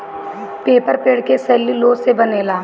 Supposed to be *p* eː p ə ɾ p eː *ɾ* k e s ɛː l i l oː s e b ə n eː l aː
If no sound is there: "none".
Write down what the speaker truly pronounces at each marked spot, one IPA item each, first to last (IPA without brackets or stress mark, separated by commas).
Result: p, ɽ